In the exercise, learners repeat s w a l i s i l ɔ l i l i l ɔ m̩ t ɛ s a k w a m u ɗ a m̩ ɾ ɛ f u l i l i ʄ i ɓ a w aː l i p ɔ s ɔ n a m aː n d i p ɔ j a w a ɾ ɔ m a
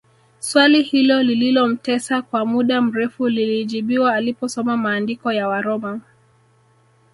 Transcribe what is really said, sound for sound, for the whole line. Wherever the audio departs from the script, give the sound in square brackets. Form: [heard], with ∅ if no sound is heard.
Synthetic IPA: s w a l i [h] i l ɔ l i l i l ɔ m̩ t ɛ s a k w a m u ɗ a m̩ ɾ ɛ f u l i l i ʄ i ɓ [i] w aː l i p ɔ s ɔ [m] a m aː n d i [k] ɔ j a w a ɾ ɔ m a